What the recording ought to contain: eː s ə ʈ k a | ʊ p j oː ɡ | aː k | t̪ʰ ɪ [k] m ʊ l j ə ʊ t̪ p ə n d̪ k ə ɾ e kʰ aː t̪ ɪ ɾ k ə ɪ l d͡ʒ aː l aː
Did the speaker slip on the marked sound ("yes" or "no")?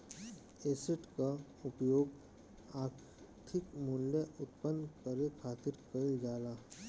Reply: no